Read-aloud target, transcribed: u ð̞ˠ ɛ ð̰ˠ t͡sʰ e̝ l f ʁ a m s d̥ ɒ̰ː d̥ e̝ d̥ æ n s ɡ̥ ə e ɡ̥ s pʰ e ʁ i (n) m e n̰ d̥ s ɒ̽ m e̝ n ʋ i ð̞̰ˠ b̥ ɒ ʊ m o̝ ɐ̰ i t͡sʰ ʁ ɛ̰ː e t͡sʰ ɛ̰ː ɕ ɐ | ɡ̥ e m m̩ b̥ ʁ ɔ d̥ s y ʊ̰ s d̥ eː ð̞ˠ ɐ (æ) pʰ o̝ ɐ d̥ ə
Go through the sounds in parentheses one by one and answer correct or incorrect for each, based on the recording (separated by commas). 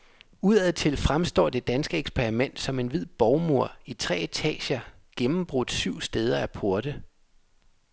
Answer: incorrect, correct